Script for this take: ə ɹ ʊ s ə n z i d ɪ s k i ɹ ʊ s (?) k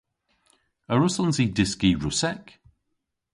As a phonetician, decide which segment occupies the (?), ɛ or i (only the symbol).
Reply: ɛ